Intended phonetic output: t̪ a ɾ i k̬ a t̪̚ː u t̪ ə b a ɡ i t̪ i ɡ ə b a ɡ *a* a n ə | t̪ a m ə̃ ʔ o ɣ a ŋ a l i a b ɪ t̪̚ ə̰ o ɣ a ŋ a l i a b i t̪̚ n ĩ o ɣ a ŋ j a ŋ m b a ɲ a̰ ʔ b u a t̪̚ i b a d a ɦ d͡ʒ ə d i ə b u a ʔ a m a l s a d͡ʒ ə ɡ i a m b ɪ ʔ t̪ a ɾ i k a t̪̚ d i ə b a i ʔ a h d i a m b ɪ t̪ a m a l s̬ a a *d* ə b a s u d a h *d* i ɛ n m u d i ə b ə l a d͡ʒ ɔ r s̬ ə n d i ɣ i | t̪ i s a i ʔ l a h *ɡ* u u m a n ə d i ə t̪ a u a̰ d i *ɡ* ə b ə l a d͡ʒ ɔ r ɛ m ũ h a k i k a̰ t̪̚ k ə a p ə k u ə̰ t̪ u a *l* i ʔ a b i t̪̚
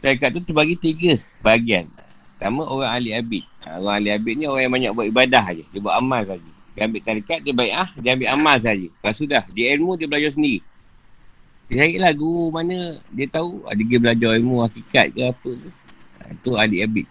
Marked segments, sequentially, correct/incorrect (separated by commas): incorrect, incorrect, correct, correct, correct, correct